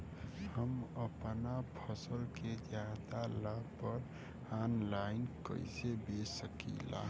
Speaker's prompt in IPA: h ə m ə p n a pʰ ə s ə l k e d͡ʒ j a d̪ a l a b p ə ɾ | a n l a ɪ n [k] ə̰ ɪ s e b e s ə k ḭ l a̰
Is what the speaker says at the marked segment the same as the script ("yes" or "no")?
yes